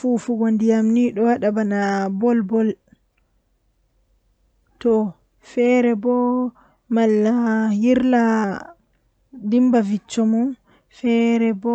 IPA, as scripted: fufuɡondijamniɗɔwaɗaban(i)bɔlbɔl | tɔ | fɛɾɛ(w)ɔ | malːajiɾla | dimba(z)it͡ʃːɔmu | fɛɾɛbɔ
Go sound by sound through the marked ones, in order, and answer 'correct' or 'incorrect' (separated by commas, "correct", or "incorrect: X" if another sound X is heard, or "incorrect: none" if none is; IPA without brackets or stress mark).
incorrect: a, incorrect: b, incorrect: v